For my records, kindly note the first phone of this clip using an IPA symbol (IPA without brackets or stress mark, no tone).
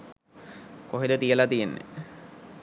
k